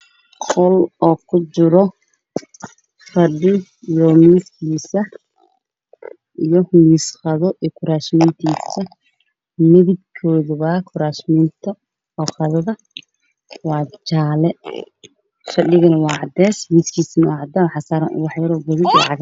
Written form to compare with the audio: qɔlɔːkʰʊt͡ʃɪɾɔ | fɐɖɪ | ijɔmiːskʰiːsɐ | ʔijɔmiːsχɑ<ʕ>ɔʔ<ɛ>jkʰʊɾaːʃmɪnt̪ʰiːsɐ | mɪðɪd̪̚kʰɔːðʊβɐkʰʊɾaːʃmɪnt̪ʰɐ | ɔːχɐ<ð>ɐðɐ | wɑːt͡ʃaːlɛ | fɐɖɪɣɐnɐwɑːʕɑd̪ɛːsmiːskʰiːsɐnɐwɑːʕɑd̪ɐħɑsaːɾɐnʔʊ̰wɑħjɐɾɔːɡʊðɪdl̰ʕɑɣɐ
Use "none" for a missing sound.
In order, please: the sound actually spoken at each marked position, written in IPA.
ð, i, ð

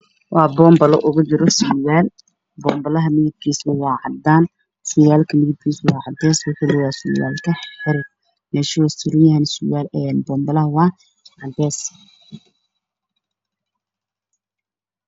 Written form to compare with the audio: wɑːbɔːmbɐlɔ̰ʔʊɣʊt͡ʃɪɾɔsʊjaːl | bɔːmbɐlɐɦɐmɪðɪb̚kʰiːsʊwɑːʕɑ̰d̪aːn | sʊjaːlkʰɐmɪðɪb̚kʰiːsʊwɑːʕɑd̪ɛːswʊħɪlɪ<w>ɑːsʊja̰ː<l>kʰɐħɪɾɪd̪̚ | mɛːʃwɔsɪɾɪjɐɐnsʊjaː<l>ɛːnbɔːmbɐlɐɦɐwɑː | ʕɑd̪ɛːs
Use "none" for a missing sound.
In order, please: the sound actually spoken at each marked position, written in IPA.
w, l, l

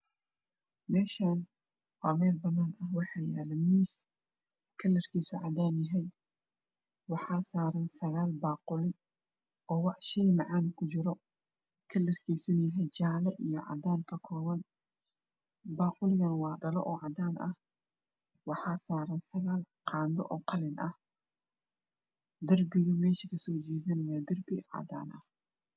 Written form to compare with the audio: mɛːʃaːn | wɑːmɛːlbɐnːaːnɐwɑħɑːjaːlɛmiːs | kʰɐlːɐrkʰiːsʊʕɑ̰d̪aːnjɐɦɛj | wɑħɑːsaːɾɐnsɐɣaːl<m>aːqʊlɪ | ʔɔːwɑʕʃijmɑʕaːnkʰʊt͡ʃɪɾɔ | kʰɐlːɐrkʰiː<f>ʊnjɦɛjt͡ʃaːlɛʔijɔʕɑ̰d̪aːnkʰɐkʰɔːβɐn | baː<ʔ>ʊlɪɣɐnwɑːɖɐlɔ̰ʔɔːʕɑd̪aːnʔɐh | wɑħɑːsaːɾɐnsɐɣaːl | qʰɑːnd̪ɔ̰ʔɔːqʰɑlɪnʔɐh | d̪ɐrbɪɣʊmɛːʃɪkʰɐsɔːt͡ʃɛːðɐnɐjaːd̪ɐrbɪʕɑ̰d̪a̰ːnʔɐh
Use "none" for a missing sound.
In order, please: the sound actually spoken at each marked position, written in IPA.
b, s, q

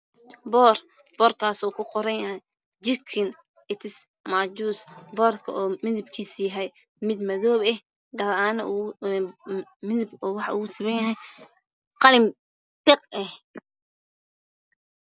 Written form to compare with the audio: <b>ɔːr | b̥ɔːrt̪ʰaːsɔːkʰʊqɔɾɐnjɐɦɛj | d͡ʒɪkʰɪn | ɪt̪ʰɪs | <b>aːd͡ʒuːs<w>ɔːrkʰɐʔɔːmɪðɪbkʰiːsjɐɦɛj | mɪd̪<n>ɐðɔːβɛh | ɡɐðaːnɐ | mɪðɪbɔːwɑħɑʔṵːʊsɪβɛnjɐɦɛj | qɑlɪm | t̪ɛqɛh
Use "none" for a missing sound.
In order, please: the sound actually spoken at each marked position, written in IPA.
b, m, b, m

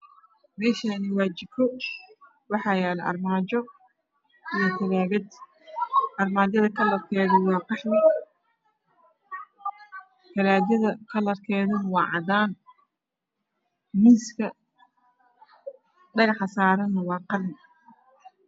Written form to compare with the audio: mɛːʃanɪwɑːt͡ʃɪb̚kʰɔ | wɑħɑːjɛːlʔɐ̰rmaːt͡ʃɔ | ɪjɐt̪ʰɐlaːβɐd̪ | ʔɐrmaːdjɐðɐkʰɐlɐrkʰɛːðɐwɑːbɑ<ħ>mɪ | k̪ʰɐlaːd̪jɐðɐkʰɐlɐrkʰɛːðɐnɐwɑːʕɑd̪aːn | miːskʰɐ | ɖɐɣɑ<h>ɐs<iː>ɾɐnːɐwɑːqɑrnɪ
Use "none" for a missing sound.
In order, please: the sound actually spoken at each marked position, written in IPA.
ħ, ħ, aː

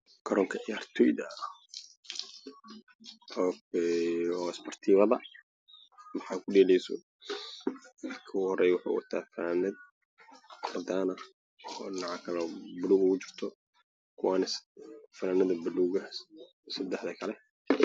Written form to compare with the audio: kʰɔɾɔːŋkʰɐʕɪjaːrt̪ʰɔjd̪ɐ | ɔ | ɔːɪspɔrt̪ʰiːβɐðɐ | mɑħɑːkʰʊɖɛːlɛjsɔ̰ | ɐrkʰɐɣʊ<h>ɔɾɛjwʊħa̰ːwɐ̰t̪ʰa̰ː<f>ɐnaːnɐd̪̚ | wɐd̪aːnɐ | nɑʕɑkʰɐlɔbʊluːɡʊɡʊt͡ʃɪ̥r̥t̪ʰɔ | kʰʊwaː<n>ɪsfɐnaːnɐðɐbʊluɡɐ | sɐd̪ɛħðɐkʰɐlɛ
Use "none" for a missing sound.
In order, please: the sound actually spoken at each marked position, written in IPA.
h, f, n

